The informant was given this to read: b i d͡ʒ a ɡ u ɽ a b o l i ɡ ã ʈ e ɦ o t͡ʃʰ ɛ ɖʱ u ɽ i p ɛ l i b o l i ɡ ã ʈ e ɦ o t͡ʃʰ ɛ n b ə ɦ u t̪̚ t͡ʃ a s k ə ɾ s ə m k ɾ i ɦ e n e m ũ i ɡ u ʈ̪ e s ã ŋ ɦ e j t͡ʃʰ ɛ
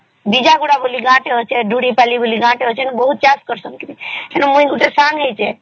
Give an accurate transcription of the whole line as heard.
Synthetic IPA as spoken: b i d͡ʒ a ɡ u ɽ a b o l i ɡ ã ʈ e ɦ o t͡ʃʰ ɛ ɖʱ u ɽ i p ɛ l i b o l i ɡ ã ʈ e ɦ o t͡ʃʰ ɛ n b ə ɦ u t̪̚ t͡ʃ a s k ə ɾ s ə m k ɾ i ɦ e n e m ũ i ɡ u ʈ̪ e s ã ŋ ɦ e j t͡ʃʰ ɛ